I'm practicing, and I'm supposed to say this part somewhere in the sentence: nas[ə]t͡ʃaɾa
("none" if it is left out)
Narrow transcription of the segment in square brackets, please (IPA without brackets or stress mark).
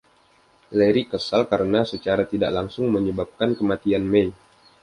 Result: ə